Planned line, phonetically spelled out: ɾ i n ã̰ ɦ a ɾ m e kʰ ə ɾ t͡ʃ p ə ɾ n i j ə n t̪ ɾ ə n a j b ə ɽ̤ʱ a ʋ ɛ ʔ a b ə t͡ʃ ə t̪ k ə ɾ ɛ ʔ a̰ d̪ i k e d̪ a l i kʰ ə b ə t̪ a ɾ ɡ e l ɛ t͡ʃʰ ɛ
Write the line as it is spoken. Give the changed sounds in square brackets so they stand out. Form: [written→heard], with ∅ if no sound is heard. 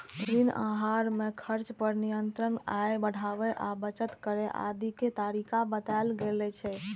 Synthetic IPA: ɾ i n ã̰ ɦ a ɾ m e kʰ ə ɾ t͡ʃ p ə ɾ n i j ə n t̪ ɾ ə n a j b ə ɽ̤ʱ a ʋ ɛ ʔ a b ə t͡ʃ ə t̪ k ə ɾ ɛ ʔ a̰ d̪ i k e [d̪→t̪] a [l→ɾ] i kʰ [ə→a] b ə t̪ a [ɾ→l] ɡ e l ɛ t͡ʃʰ ɛ

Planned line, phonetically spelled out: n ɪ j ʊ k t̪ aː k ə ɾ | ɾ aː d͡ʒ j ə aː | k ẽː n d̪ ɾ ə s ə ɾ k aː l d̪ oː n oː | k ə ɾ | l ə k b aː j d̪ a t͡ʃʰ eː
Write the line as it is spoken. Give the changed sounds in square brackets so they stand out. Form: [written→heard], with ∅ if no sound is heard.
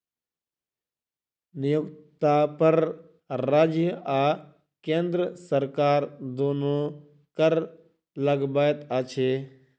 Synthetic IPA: n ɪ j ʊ k t̪ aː [k→p] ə ɾ | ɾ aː d͡ʒ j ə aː | k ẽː n d̪ ɾ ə s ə ɾ k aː [l→ɾ] d̪ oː n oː | k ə ɾ | l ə [k→ɡ] b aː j [d̪→t̪] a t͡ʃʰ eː

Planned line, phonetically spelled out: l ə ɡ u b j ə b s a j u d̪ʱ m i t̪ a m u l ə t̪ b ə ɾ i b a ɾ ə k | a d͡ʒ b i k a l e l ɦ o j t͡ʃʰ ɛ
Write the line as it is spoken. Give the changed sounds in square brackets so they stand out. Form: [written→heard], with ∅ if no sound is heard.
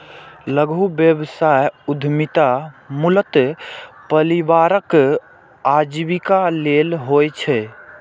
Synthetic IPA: l ə ɡ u b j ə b s a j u d̪ʱ m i t̪ a m u l ə t̪ [b→p] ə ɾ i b a ɾ ə k | a d͡ʒ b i k a l e l ɦ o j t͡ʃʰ ɛ

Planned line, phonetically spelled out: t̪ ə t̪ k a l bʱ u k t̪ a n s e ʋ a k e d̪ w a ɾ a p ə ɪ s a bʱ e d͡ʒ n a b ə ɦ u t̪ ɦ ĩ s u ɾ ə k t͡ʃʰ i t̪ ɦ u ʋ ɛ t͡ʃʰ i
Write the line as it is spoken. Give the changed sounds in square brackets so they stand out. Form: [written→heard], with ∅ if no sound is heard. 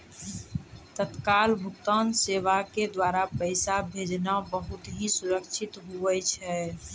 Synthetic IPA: t̪ ə t̪ k a l bʱ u k t̪ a n s e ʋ a k e d̪ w a ɾ a p ə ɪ s a bʱ e d͡ʒ n a b ə ɦ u t̪ ɦ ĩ s u ɾ ə k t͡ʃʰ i t̪ ɦ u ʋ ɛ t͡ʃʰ [i→ɛ]

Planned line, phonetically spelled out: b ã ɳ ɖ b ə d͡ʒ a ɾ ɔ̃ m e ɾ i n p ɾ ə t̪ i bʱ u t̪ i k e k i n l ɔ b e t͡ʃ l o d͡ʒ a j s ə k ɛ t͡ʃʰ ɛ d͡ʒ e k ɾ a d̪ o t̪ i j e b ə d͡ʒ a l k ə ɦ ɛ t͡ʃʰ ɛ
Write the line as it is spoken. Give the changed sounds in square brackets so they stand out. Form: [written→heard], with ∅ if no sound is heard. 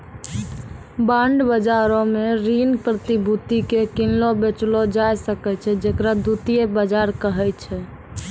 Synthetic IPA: b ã ɳ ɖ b ə d͡ʒ a ɾ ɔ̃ m e ɾ i n p ɾ ə t̪ i bʱ u t̪ i k e k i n l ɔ b e t͡ʃ l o d͡ʒ a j s ə k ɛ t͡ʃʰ ɛ d͡ʒ e k ɾ a d̪ [o→u] t̪ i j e b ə d͡ʒ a [l→ɾ] k ə ɦ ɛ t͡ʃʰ ɛ

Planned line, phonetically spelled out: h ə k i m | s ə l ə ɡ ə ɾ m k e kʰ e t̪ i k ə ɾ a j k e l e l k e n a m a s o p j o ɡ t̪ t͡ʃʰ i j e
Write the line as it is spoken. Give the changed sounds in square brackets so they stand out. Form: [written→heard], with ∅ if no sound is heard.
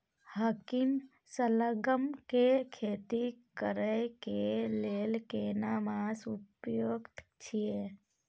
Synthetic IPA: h ə k i m | s ə l ə ɡ ə [ɾ→∅] m k e kʰ e t̪ i k ə ɾ [a→ə] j k e l e l k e n a m a s [o→u] p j o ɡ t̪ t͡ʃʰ i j e

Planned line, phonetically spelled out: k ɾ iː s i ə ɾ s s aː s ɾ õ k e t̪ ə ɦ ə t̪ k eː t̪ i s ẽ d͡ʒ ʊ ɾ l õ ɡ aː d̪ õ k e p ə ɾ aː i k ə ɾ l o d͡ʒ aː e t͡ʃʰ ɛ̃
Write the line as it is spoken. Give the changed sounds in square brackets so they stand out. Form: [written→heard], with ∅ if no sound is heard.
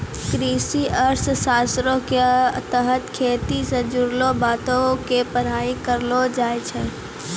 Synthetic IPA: k ɾ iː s i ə ɾ s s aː s ɾ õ k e t̪ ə ɦ ə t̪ [k→kʰ] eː t̪ i s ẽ d͡ʒ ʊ ɾ l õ [ɡ→b] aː [d̪→t̪] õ k e p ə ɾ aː i k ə ɾ l o d͡ʒ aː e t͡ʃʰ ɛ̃

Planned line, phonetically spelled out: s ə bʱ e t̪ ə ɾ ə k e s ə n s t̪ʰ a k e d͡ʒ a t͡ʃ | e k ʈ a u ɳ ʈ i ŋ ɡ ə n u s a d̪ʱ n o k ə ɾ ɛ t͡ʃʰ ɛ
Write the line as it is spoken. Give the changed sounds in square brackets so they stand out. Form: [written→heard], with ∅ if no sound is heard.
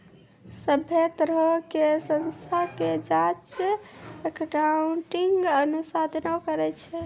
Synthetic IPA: s ə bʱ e t̪ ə ɾ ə k e s ə n s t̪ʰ a k e d͡ʒ a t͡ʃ | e k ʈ a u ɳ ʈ i ŋ ɡ ə n u s a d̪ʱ n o k ə ɾ ɛ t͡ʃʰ ɛ

